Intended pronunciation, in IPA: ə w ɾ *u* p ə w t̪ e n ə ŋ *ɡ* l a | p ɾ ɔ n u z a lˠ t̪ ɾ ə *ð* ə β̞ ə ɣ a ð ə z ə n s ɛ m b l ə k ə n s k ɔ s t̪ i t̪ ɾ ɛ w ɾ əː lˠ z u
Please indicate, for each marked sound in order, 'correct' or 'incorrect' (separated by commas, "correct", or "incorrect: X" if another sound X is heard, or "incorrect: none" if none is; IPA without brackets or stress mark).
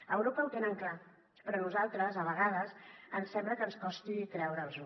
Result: incorrect: o, incorrect: k, incorrect: z